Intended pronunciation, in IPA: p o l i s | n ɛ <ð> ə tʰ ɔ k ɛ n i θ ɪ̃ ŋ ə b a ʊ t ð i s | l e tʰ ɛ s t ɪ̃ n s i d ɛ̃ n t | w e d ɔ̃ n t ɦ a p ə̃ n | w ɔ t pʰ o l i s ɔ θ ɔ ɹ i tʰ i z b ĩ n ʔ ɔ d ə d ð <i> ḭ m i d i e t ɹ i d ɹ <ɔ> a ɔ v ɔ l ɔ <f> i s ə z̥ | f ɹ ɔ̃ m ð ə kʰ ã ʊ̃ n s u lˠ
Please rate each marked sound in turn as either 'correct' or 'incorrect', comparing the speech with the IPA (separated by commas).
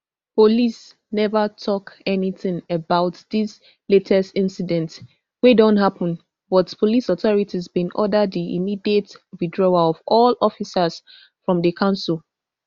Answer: incorrect, correct, correct, correct